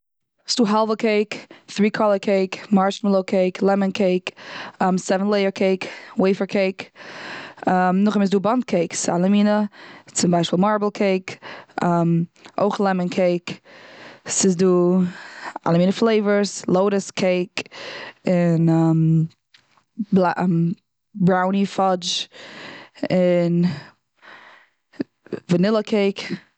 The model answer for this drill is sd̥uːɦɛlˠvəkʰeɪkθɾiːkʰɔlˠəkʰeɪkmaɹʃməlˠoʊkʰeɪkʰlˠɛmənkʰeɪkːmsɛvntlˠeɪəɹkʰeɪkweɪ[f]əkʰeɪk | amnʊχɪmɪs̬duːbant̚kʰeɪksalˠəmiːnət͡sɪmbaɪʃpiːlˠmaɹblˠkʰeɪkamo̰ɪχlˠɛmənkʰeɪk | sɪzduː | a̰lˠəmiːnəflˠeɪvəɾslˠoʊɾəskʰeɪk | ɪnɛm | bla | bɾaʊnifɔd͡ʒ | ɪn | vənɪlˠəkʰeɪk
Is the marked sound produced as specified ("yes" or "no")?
yes